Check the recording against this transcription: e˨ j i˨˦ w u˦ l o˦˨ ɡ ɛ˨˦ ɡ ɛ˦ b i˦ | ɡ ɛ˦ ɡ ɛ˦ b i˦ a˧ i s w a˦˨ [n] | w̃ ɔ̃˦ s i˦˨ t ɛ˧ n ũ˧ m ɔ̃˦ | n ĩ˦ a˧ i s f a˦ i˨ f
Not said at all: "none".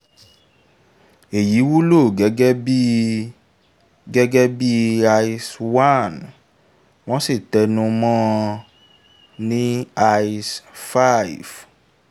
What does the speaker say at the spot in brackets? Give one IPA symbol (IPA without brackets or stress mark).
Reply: n